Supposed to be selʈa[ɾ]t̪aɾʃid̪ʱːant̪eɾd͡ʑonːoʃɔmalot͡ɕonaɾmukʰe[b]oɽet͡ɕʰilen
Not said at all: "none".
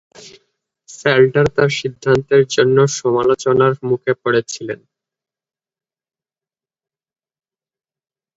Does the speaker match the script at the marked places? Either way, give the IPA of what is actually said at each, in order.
ɾ, p

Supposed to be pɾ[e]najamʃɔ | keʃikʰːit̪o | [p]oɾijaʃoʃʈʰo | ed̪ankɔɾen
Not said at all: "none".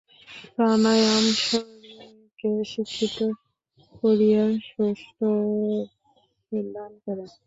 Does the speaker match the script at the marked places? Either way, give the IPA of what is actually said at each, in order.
a, k

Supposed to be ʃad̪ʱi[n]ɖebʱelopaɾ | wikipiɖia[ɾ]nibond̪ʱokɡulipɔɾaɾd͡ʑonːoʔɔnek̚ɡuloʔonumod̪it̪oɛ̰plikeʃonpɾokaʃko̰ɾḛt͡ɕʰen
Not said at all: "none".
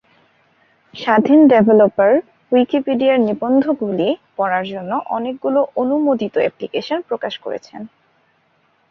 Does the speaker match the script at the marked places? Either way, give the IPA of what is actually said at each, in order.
n, ɾ

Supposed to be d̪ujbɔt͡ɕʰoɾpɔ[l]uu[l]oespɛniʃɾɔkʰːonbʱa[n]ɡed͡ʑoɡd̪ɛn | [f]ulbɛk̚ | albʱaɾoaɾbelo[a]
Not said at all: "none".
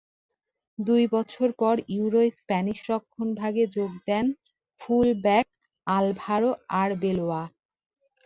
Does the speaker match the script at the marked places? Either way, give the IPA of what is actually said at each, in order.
ɾ, ɾ, none, f, a

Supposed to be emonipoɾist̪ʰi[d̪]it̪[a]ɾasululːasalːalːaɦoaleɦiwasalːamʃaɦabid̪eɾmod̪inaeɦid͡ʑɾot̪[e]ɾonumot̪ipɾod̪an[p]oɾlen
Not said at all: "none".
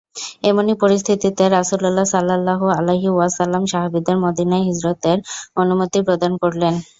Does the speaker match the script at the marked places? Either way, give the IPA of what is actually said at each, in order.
t̪, e, e, k

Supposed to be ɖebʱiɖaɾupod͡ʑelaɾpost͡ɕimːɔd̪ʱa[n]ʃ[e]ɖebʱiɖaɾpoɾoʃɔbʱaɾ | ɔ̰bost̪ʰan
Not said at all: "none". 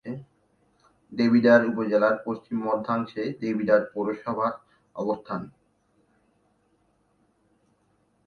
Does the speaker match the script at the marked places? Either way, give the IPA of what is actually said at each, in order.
ŋ, e

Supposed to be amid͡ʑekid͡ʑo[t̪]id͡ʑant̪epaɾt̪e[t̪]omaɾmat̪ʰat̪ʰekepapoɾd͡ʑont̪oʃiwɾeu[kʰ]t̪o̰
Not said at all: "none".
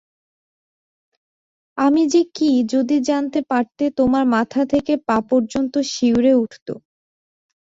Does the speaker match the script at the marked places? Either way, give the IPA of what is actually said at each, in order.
d̪, t̪, ʈʰ

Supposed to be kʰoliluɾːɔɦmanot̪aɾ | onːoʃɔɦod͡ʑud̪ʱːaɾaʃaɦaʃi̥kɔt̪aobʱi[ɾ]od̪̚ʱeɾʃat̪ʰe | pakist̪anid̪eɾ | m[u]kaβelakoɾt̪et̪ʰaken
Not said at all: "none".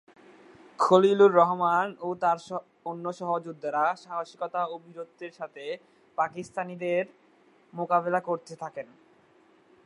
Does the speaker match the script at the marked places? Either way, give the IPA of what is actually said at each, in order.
ɾ, o

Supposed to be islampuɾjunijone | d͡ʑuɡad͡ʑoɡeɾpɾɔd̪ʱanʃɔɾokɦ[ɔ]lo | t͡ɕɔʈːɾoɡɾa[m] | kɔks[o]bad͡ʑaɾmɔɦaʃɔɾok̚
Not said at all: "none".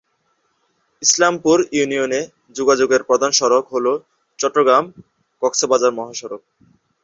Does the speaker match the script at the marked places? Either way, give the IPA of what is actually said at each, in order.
o, m, o

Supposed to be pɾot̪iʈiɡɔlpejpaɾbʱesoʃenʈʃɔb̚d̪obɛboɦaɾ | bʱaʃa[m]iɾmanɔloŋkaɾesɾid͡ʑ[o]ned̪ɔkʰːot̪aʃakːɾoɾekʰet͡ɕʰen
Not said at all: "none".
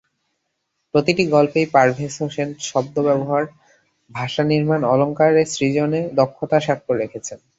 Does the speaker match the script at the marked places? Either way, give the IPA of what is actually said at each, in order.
n, o

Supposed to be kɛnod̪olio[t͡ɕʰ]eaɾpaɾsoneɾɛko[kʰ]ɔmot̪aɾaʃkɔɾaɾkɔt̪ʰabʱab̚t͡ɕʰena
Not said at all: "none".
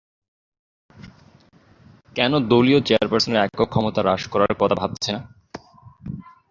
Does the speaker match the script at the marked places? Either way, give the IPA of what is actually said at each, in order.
t͡ɕ, kʰ

